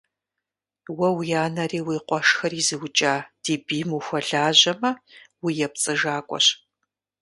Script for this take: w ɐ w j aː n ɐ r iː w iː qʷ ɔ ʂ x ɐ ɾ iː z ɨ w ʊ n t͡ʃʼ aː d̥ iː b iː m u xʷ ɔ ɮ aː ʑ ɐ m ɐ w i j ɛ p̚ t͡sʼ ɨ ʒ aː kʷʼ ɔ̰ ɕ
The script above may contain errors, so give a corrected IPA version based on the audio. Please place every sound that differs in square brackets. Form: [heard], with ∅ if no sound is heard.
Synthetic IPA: w ɐ w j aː n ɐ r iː w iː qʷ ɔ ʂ x ɐ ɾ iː z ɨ w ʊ [∅] t͡ʃʼ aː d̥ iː b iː m u xʷ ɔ ɮ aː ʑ ɐ m ɐ w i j ɛ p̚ t͡sʼ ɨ ʒ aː kʷʼ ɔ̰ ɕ